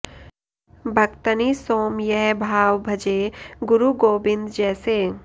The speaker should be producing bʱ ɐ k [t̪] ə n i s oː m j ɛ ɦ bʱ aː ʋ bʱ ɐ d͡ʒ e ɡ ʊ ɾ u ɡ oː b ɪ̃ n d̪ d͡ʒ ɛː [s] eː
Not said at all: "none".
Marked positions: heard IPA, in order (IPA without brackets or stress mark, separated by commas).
t̪, s